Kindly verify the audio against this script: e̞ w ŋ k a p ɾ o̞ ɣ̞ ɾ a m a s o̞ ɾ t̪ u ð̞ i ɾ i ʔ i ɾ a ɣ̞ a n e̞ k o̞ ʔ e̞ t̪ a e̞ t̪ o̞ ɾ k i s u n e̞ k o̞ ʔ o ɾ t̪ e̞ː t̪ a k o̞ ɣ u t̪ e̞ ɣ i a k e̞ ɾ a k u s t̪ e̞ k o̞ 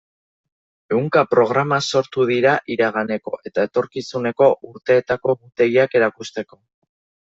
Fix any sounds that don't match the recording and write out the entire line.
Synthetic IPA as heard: e̞ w ŋ k a p ɾ o̞ ɣ̞ ɾ a m a s o̞ ɾ t̪ u ð̞ i ɾ a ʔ i ɾ a ɣ̞ a n e̞ k o̞ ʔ e̞ t̪ a e̞ t̪ o̞ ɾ k i s u n e̞ k o̞ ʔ u ɾ t̪ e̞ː t̪ a k o̞ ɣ u t̪ e̞ ɣ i a k e̞ ɾ a k u s t̪ e̞ k o̞